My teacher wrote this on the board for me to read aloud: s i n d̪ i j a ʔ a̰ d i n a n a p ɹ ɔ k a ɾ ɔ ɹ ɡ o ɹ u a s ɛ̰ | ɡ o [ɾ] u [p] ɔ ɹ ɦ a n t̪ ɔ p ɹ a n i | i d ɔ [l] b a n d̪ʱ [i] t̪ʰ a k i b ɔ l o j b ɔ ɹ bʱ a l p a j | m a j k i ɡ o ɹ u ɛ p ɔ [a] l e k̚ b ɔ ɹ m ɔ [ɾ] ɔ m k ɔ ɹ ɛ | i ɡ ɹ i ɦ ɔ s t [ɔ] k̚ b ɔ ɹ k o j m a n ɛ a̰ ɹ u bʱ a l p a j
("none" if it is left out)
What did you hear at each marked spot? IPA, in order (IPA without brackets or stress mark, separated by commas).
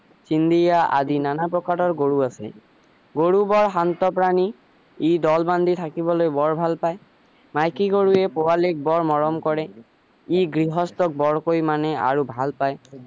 ɹ, b, l, i, a, ɹ, ɔ